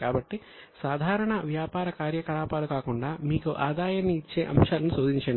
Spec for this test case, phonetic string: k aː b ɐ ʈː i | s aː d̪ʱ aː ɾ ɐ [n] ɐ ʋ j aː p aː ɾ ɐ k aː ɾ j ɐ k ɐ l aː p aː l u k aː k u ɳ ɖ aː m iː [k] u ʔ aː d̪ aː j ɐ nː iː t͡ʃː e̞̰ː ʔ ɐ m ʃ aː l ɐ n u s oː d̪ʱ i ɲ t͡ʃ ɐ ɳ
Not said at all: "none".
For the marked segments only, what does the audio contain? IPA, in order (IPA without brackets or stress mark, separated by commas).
ɳ, k